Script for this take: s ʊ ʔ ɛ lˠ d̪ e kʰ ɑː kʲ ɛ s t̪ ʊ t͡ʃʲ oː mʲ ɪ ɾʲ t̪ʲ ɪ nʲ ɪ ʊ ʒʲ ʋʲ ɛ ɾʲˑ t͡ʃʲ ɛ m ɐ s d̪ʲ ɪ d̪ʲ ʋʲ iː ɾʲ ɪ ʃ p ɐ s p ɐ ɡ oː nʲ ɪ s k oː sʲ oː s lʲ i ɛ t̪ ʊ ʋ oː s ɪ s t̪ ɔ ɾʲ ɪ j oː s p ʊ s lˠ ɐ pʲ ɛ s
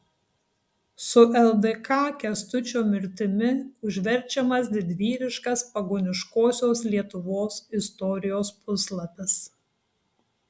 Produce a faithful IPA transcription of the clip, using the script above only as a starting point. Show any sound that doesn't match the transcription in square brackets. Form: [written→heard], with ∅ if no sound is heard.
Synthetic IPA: s ʊ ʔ ɛ lˠ d̪ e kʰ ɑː kʲ ɛ s t̪ ʊ t͡ʃʲ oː mʲ ɪ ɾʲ t̪ʲ ɪ [nʲ→mʲ] ɪ ʊ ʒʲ ʋʲ ɛ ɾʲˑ t͡ʃʲ ɛ m ɐ s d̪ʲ ɪ d̪ʲ ʋʲ iː ɾʲ ɪ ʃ [p→k] ɐ s p ɐ ɡ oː nʲ ɪ [s→ʃ] k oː sʲ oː s lʲ i ɛ t̪ ʊ ʋ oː s ɪ s t̪ ɔ ɾʲ ɪ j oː s p ʊ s lˠ ɐ pʲ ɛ s